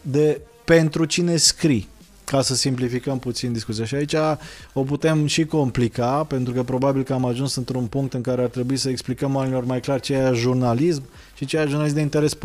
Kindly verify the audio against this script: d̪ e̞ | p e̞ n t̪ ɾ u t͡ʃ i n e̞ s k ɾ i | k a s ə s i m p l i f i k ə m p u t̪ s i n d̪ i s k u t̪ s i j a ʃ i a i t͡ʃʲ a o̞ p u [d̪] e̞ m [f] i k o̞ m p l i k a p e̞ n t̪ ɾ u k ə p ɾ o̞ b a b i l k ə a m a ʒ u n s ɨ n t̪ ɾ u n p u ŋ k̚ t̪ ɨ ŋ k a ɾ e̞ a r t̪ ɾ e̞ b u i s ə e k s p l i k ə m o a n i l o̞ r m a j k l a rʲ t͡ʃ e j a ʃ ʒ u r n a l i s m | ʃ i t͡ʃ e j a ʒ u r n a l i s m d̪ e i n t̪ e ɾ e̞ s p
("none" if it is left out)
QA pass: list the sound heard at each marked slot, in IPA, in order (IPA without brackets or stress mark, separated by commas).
t̪, ʃ